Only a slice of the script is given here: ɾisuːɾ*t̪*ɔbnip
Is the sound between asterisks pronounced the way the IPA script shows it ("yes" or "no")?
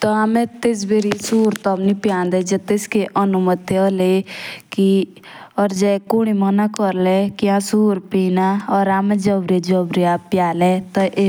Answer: yes